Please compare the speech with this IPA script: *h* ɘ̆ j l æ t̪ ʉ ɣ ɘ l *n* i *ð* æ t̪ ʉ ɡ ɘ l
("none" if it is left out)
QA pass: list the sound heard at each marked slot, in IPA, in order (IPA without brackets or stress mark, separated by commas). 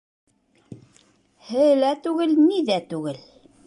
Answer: h, n, ð